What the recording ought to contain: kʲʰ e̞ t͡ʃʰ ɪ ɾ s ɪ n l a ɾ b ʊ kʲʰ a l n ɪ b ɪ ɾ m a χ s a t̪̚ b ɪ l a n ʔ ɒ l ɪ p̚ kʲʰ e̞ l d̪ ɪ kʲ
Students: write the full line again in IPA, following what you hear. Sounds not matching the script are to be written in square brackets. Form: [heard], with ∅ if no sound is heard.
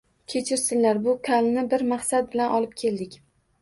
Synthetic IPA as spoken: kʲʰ e̞ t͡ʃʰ ɪ ɾ s ɪ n l a ɾ b ʊ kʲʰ a l n ɪ b ɪ ɾ m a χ s a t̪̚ b ɪ l a n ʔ ɒ l ɪ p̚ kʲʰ e̞ l d̪ ɪ kʲ